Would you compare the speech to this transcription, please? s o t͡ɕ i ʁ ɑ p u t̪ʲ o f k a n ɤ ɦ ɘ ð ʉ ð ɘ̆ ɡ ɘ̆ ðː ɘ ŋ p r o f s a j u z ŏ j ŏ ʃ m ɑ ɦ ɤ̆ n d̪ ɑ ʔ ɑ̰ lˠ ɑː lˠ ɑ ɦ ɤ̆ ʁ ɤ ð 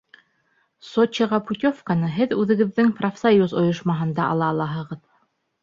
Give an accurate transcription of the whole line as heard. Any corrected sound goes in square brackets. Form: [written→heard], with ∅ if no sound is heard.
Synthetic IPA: s o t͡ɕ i ʁ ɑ p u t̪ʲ o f k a n ɤ ɦ ɘ ð ʉ ð ɘ̆ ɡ ɘ̆ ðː ɘ ŋ p r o f s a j u z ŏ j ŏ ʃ m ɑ ɦ ɤ̆ n d̪ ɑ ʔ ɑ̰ lˠ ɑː lˠ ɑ ɦ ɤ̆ ʁ ɤ ð